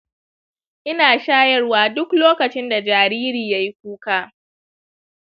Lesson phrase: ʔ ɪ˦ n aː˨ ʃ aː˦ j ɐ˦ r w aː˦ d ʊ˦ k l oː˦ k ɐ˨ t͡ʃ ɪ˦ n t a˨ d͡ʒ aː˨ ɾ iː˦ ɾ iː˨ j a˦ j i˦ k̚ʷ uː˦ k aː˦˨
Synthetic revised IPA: ʔ ɪ˦ n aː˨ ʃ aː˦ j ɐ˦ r w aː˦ d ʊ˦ k l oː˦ k ɐ˨ t͡ʃ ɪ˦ n d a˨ d͡ʒ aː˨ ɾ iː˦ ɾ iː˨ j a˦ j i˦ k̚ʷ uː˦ k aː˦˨